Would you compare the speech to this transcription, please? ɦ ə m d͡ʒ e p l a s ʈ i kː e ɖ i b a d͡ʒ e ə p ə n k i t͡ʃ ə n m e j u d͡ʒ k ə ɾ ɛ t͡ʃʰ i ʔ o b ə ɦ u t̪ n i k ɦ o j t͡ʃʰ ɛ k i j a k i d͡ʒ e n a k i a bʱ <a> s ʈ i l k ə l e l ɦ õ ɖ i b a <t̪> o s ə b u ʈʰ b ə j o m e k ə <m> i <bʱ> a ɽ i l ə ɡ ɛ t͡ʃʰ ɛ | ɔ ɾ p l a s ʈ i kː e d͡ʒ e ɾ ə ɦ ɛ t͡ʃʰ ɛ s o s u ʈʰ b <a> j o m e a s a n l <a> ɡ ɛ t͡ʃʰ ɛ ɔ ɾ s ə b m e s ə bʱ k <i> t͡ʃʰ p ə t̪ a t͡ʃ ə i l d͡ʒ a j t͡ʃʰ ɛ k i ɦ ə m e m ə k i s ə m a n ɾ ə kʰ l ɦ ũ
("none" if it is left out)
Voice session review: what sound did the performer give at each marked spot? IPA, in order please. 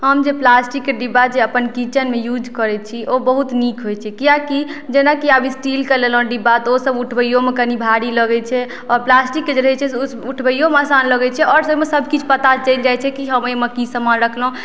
i, t̪, n, bʱ, ə, ə, i

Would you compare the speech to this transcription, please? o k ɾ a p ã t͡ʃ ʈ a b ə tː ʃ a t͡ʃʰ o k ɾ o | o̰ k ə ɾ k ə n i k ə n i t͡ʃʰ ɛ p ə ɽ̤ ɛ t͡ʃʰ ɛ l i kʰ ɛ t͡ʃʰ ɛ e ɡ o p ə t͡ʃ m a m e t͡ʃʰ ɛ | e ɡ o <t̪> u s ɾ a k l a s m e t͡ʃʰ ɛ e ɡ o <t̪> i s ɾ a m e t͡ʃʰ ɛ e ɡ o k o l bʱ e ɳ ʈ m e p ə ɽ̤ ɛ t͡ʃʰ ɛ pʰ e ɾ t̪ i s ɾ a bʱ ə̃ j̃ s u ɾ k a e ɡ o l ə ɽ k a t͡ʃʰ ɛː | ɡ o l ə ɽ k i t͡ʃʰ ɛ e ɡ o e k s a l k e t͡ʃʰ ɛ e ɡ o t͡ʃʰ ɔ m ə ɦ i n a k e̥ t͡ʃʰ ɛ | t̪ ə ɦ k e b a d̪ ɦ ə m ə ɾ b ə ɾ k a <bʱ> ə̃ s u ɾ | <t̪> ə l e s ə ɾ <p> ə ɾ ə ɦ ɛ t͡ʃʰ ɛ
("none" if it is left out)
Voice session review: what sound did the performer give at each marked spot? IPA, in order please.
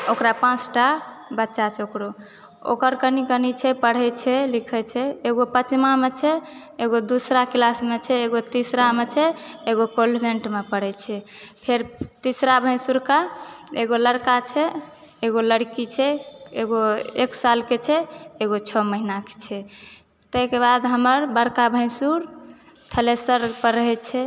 d̪, t̪, bʱ, t̪ʰ, p

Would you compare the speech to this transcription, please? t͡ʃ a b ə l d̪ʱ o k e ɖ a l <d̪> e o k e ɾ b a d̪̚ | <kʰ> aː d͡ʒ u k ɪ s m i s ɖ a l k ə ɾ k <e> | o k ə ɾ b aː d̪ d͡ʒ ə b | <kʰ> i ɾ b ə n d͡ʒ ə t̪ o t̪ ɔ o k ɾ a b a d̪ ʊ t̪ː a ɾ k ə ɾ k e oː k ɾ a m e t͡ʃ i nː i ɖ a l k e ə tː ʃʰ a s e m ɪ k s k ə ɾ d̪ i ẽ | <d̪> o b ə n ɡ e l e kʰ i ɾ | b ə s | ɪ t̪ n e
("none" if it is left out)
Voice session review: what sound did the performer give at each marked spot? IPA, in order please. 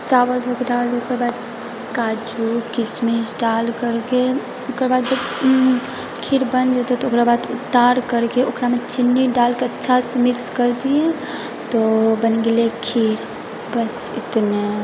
d̪, k, e, kʰ, t̪

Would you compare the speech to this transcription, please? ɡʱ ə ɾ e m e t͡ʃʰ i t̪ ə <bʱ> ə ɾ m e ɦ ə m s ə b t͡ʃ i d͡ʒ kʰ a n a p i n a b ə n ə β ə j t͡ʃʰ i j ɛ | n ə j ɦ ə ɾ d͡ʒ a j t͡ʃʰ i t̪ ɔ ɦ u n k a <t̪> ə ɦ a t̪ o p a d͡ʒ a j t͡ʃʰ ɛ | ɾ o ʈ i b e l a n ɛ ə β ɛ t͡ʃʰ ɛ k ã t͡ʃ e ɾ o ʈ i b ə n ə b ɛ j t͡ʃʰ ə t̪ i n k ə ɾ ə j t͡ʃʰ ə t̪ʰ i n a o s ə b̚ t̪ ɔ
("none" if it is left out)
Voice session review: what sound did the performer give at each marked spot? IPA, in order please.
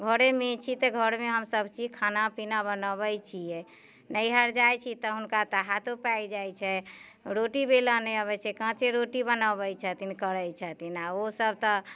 ɡʱ, t̪

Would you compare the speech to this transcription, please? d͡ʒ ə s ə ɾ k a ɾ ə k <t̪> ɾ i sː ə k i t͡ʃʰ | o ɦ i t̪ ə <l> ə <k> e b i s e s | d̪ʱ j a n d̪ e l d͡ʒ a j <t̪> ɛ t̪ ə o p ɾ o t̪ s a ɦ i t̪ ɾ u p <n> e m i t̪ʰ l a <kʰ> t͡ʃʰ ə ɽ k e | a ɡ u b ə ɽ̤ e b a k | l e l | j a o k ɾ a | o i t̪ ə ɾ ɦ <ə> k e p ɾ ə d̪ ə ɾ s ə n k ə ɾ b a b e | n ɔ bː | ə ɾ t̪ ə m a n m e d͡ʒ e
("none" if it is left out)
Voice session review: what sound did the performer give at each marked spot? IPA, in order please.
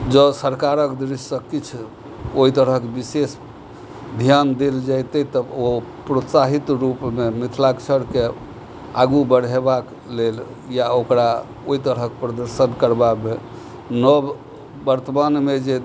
d̪, ɾ, k, t̪, m, k, ə

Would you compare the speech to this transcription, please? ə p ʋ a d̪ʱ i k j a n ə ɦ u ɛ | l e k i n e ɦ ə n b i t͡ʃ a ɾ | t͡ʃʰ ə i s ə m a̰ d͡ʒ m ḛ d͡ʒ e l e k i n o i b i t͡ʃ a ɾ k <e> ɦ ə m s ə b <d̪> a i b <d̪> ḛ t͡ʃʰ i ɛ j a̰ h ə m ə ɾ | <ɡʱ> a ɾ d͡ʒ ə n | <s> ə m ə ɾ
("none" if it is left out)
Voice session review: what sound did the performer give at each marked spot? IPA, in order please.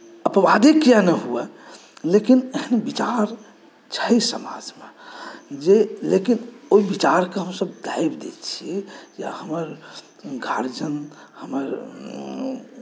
e, d̪, d̪, ɡʱ, h

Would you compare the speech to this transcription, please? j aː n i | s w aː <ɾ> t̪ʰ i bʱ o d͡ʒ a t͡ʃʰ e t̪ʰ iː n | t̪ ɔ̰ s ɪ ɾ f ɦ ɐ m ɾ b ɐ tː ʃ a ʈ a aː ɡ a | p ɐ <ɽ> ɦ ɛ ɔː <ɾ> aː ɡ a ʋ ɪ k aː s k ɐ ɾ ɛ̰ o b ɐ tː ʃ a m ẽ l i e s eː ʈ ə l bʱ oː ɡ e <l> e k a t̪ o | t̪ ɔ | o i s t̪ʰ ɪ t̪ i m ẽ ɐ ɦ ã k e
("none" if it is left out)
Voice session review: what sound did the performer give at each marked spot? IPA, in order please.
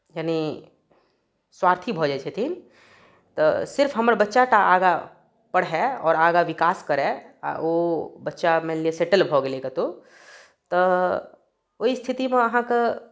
ɾ, ɽ, ɾ, l

